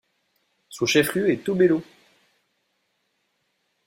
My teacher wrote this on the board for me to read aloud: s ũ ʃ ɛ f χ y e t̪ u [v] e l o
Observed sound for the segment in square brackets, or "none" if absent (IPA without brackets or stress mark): b